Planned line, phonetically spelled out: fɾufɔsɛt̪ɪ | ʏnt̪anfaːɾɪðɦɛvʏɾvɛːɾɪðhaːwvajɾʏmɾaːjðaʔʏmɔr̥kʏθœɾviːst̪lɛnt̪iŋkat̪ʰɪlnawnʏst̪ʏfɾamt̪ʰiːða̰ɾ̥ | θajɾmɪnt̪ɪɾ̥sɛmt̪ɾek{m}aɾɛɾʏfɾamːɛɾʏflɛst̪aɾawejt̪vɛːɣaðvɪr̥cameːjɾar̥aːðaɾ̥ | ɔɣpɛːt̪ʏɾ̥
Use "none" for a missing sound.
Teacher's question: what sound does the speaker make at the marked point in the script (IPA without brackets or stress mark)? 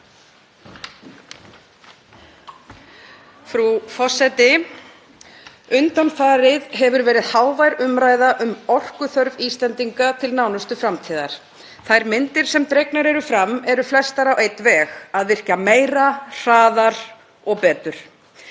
n